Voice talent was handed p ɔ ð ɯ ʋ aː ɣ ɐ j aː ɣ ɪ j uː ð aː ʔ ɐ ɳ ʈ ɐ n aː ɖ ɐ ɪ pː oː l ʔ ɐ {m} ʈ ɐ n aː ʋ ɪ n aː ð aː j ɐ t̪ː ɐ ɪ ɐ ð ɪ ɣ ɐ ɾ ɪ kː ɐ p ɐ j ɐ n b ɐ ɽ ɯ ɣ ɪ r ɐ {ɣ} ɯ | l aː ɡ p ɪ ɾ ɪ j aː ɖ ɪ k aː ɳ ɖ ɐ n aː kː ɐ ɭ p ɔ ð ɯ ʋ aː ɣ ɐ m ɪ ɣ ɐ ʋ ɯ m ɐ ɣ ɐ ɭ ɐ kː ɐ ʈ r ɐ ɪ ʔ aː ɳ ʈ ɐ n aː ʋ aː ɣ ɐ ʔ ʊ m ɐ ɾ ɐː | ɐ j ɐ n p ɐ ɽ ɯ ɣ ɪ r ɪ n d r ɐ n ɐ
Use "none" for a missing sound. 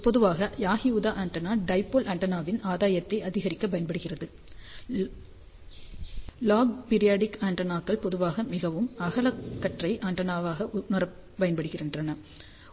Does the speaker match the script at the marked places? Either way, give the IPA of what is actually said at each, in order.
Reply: ɳ, ð

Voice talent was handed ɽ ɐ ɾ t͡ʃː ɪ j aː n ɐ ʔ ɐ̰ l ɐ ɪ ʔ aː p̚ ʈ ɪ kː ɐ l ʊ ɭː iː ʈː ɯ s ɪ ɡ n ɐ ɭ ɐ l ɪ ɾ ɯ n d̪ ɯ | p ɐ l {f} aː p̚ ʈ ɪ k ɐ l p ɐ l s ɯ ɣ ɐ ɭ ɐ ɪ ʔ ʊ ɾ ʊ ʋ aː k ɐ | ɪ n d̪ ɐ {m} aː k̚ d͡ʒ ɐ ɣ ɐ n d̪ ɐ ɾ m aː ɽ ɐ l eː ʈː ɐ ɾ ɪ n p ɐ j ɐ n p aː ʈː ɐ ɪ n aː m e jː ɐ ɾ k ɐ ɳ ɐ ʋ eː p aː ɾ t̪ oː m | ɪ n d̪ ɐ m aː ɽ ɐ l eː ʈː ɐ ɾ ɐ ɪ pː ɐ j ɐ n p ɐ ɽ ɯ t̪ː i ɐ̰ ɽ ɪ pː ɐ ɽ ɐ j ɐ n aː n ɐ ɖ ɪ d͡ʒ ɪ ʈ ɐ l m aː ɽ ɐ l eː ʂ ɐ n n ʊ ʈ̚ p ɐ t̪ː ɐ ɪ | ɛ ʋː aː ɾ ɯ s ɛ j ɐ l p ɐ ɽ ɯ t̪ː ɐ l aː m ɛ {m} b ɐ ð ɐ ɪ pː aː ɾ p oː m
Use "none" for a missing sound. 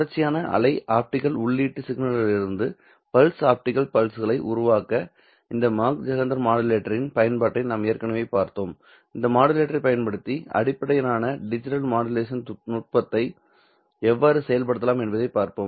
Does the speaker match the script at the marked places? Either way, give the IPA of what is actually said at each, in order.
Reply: s, m, n

